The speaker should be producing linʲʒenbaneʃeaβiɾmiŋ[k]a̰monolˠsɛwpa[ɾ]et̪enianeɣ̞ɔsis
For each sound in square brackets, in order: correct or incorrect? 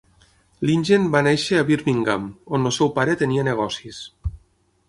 incorrect: ɡ, correct

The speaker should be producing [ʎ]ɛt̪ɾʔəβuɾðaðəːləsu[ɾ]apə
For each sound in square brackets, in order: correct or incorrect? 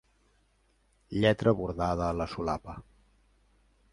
correct, incorrect: l

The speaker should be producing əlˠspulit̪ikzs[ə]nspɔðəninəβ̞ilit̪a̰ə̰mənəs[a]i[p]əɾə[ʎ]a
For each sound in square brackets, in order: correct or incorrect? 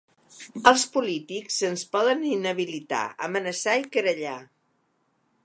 correct, correct, incorrect: k, correct

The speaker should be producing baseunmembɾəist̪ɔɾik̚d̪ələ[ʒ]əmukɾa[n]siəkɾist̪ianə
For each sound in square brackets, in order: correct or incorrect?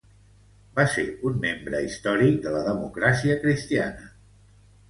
incorrect: ð, incorrect: none

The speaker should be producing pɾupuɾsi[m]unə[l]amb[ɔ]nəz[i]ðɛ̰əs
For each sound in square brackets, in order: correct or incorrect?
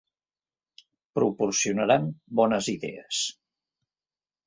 incorrect: none, incorrect: ɾ, correct, correct

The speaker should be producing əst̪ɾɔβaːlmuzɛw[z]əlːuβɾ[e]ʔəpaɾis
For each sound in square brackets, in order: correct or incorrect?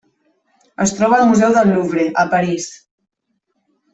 incorrect: ð, correct

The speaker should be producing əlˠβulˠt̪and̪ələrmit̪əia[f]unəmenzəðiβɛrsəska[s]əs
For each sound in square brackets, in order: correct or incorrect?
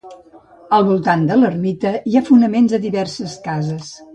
correct, incorrect: z

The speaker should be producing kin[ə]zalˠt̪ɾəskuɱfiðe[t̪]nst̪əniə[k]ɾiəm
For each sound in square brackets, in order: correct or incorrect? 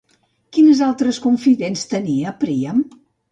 correct, incorrect: none, incorrect: p

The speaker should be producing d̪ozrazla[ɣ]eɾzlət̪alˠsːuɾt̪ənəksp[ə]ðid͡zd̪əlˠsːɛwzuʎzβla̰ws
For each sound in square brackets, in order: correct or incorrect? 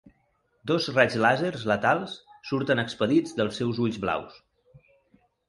incorrect: z, correct

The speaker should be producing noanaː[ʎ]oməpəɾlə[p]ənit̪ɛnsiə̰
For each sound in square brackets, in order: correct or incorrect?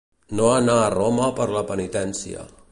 incorrect: r, correct

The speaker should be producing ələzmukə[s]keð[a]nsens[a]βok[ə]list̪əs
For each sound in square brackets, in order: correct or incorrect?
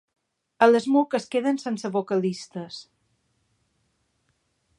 correct, incorrect: ə, incorrect: ə, correct

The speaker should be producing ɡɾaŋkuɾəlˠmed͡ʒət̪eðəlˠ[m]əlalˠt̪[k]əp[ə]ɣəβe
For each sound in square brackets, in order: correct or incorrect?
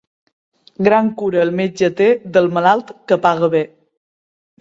correct, correct, incorrect: a

